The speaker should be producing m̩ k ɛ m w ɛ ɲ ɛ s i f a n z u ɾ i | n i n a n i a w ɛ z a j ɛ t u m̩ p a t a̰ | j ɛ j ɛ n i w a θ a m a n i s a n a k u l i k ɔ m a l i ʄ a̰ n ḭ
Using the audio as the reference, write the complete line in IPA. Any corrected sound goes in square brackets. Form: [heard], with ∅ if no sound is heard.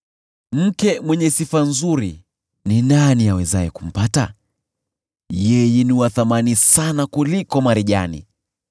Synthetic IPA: m̩ k ɛ m w ɛ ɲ ɛ s i f a n z u ɾ i | n i n a n i a w ɛ z a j ɛ [k] u m̩ p a t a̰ | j ɛ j ɛ n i w a θ a m a n i s a n a k u l i k ɔ m a [ɾ] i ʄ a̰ n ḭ